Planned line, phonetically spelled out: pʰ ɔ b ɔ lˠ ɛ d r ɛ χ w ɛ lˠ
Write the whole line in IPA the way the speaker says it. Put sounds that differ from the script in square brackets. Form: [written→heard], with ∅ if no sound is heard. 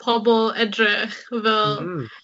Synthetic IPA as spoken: pʰ ɔ b ɔ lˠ ɛ d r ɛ χ [w→v] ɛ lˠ